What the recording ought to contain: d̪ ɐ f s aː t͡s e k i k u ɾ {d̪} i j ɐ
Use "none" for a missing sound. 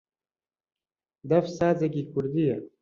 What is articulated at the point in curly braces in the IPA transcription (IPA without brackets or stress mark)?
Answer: d̪